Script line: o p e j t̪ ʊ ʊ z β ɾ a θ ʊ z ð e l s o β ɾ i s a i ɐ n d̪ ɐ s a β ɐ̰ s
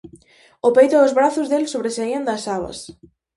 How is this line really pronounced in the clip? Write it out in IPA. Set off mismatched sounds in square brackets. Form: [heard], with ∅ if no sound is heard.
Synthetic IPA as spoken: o p e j t̪ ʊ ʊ z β ɾ a θ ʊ z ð e l s o β ɾ [e] s a i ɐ n d̪ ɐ s a β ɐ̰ s